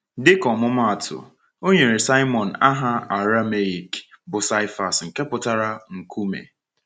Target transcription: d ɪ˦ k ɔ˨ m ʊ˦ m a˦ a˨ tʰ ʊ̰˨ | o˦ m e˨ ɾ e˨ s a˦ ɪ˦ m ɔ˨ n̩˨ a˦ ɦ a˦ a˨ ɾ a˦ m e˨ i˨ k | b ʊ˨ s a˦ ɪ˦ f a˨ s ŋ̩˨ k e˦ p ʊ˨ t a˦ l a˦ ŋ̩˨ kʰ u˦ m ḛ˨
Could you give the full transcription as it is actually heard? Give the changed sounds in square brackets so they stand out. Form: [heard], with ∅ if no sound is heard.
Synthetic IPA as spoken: d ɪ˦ k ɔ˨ m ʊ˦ m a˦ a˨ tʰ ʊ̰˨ | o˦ [ɲ] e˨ ɾ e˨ s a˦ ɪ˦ m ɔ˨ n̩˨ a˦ ɦ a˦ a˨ ɾ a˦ m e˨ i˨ k | b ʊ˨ s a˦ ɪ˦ f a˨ s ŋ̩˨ k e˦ p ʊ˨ t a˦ [ɾ] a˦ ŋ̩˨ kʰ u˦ m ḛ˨